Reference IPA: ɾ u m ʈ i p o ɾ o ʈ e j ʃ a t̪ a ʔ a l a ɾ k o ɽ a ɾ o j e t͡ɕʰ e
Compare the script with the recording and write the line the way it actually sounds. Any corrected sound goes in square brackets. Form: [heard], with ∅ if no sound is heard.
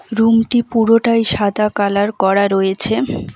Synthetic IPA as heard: ɾ u m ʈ i p [u] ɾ o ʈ [a] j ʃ a [d̪] a [k] a l a ɾ k [ɔ] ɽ a ɾ o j e t͡ɕʰ e